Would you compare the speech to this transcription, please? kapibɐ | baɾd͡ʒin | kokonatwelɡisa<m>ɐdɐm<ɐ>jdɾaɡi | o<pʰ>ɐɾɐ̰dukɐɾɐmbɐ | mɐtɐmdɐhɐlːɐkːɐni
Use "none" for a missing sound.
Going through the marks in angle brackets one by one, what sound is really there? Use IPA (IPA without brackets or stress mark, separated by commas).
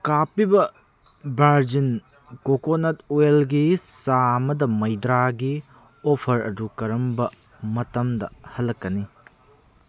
m, ɐ, pʰ